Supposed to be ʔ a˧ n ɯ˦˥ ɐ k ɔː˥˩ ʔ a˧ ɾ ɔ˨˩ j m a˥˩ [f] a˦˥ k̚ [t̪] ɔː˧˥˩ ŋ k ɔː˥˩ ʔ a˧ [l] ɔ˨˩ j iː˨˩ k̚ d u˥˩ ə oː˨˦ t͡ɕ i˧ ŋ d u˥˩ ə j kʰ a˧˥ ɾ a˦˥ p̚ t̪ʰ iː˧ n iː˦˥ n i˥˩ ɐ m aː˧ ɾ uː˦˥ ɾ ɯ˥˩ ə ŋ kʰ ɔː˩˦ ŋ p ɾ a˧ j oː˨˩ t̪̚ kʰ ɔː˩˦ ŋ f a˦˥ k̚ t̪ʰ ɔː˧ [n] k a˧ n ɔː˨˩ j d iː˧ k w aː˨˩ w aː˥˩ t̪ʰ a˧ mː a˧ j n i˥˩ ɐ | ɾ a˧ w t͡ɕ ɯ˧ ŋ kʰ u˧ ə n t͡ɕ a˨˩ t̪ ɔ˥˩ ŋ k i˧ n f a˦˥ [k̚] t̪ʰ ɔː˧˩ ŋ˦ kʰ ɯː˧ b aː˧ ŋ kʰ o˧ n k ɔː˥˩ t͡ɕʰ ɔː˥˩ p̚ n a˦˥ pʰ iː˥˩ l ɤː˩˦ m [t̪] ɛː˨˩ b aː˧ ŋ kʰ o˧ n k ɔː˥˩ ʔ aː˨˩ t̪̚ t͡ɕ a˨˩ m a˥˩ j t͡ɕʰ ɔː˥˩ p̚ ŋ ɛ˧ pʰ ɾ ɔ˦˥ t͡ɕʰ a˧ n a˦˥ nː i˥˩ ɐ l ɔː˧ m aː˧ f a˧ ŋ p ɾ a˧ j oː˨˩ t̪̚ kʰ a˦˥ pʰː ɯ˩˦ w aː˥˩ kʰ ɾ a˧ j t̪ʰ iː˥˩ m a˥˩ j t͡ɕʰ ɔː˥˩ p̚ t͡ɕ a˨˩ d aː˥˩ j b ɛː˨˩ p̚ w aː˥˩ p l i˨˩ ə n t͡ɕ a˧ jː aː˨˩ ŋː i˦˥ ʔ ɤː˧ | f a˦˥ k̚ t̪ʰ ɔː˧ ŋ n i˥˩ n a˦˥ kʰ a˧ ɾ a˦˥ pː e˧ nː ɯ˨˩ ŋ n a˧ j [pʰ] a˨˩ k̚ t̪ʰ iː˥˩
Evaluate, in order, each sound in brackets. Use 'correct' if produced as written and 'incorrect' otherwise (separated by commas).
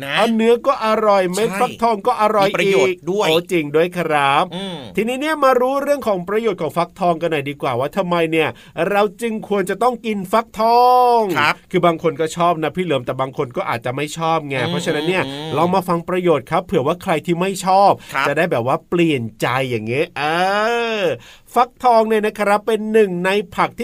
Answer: correct, incorrect, incorrect, incorrect, correct, correct, correct